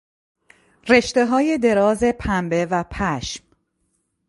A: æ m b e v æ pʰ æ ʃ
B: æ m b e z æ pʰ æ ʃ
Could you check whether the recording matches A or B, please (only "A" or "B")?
A